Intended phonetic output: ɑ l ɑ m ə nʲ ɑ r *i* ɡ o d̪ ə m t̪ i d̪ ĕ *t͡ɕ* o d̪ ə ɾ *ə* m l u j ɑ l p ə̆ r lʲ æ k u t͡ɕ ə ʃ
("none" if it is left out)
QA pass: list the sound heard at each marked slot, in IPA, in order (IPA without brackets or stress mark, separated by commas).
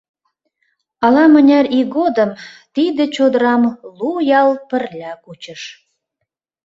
i, t͡ɕ, ɑ